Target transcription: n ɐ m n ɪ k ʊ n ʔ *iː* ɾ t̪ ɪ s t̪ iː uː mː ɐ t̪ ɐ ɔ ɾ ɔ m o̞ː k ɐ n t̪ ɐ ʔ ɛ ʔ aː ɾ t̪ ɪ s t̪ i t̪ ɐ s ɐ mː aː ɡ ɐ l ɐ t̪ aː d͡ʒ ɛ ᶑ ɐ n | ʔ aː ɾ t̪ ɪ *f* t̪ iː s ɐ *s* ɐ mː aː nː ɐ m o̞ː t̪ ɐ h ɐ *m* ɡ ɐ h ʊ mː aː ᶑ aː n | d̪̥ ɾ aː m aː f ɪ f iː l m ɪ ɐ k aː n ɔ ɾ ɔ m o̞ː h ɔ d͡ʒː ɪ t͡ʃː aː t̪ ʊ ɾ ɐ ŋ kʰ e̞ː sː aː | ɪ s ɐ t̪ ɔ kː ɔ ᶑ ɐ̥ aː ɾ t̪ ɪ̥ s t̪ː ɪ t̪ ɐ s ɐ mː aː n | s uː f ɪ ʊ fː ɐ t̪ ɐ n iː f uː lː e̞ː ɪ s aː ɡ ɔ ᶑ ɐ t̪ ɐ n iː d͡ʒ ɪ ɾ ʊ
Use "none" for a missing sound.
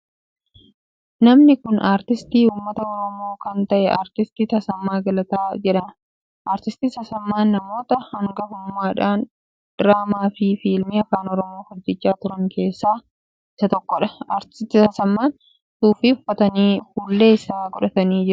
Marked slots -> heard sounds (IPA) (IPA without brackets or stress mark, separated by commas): aː, s, s, ŋ